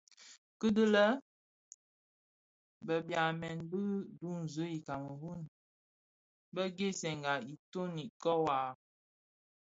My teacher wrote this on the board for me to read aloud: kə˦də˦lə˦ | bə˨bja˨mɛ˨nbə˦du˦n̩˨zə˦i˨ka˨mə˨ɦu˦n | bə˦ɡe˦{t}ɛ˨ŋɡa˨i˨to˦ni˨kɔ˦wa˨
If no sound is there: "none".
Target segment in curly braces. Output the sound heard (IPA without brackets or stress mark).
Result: s